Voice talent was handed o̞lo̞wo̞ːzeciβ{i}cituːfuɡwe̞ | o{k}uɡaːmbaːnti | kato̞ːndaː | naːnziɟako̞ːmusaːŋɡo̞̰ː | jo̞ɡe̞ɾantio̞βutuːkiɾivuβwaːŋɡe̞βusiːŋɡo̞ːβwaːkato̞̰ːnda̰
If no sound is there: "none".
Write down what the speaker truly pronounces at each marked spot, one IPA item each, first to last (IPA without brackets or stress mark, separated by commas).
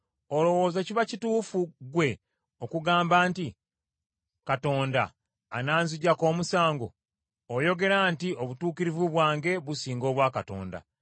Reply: a, k